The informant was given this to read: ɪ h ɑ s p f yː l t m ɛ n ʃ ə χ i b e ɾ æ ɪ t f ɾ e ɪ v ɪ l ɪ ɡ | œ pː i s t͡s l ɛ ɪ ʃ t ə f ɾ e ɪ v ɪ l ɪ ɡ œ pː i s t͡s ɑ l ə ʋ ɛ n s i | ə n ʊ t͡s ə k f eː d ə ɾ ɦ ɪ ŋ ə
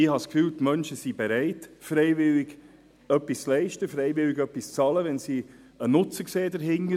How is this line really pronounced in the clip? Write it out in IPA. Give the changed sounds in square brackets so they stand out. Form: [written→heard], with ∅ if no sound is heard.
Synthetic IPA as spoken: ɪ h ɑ s [p→k] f yː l t m [ɛ→œ] n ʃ ə [χ→s] i b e ɾ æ ɪ t f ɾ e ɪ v ɪ l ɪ ɡ | œ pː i s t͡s l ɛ ɪ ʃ t ə f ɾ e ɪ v ɪ l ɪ ɡ œ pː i s t͡s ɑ l ə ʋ ɛ n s i | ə n ʊ t͡s ə k [f→s] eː d ə ɾ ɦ ɪ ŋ ə